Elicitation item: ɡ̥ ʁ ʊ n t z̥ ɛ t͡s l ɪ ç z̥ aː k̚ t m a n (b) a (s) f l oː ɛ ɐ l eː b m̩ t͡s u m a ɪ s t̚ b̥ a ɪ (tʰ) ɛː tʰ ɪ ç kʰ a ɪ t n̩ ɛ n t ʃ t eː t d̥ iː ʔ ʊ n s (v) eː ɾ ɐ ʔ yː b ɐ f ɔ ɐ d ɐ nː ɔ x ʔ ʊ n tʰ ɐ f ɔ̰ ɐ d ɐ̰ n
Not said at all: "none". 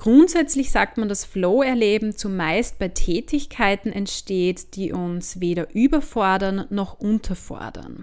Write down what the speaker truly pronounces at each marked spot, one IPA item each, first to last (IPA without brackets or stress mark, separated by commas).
d, s, tʰ, v